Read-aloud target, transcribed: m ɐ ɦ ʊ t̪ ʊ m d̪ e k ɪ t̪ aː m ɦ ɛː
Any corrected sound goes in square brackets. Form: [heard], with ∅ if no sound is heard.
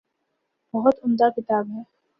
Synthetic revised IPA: [b] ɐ ɦ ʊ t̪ ʊ m d̪ [a] k ɪ t̪ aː [b] ɦ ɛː